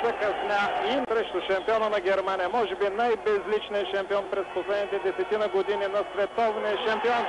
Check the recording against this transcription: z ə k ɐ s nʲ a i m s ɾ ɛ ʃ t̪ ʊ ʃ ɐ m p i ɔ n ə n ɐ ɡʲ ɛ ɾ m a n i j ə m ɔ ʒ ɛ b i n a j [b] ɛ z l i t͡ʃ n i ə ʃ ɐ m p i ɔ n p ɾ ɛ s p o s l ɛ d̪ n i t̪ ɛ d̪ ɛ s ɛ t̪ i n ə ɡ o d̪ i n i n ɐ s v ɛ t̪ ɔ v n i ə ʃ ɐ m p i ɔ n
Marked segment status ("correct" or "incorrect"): correct